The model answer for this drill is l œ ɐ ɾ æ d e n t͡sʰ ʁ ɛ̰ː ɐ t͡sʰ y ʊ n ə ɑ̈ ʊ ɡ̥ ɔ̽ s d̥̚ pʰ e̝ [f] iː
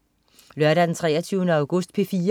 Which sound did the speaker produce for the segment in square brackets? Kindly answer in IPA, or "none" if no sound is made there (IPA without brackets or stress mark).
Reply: f